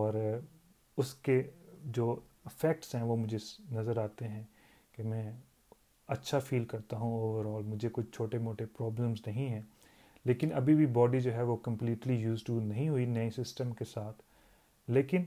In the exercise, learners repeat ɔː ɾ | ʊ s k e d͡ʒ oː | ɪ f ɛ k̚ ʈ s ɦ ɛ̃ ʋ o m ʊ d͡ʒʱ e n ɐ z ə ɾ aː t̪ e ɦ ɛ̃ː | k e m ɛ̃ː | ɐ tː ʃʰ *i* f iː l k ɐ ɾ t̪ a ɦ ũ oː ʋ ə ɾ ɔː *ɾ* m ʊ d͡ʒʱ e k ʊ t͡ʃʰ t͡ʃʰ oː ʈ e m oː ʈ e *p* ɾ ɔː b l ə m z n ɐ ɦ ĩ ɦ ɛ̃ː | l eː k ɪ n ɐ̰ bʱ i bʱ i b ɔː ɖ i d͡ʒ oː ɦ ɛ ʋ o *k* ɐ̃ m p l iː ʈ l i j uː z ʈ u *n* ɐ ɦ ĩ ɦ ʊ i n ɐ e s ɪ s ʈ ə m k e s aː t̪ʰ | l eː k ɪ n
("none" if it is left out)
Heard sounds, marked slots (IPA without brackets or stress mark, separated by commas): a, l, p, k, n